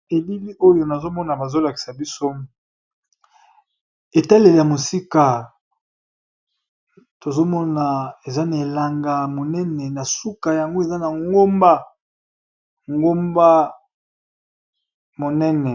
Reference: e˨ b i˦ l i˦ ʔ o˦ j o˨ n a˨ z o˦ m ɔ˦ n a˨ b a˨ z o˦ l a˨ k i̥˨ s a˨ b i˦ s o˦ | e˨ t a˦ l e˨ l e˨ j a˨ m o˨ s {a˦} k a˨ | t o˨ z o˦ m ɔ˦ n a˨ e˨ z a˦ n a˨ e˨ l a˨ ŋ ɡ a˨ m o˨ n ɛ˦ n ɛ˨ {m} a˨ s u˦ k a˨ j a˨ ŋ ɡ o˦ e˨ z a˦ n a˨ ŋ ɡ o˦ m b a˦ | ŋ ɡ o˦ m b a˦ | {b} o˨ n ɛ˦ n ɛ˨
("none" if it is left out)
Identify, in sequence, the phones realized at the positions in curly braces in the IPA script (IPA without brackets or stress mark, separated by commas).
i˦, n, m